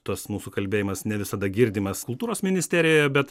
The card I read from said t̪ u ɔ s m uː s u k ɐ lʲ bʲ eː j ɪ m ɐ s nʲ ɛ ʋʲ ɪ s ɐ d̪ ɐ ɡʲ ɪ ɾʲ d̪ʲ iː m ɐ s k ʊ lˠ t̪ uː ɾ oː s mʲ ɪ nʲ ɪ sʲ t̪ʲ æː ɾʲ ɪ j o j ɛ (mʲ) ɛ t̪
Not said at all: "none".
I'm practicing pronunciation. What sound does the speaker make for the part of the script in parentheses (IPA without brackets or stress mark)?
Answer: bʲ